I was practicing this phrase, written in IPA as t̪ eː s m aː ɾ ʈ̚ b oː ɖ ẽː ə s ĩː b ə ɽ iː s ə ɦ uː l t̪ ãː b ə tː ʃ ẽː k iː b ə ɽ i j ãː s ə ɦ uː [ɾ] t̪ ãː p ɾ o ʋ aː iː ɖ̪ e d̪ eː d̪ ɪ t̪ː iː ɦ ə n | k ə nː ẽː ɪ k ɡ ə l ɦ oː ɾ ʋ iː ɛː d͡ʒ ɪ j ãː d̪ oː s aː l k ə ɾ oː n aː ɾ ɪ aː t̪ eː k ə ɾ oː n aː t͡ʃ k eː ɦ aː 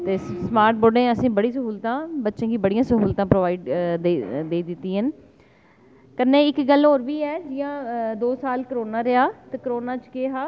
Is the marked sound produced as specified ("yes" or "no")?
no